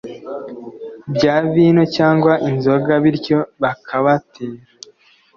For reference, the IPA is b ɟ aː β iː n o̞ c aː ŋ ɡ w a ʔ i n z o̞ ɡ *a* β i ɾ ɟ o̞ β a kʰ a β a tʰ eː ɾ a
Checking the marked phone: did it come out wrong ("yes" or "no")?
no